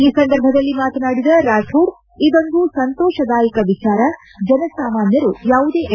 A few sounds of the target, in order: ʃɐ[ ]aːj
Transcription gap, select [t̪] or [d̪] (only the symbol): d̪